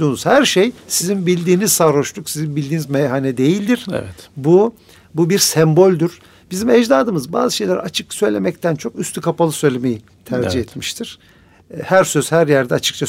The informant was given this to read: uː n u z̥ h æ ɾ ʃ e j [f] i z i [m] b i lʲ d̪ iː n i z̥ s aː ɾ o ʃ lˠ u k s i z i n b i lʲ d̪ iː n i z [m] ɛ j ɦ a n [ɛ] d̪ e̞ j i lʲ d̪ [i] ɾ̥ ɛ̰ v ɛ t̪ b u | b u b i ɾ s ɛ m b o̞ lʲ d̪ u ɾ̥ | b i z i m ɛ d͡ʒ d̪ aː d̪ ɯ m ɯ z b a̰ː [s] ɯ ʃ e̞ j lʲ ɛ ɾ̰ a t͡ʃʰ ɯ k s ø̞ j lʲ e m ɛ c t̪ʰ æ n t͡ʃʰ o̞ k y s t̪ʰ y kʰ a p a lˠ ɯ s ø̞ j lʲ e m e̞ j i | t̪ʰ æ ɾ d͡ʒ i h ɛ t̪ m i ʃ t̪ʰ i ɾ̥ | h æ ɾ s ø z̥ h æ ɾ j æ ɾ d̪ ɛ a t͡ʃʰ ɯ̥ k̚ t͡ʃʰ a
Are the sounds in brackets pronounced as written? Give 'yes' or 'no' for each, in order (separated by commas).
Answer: no, no, yes, yes, yes, no